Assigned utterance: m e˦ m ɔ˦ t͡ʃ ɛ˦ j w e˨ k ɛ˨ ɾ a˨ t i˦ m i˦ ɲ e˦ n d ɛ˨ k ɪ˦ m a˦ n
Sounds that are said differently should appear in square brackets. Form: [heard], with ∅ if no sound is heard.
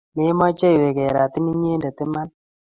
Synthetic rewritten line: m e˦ m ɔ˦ t͡ʃ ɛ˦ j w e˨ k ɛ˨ ɾ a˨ t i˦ [n] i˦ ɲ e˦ n d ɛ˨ [t] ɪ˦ m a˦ n